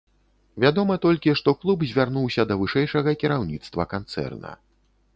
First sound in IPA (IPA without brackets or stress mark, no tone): vʲ